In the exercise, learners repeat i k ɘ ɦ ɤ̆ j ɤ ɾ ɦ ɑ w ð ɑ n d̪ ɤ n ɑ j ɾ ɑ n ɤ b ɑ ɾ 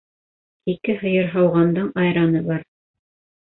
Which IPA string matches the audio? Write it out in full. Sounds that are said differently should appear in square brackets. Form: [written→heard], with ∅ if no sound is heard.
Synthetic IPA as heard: i k ɘ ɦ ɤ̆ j ɤ ɾ ɦ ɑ w [ð→ʁ] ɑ n d̪ ɤ [n→ɴ] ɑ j ɾ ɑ n ɤ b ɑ ɾ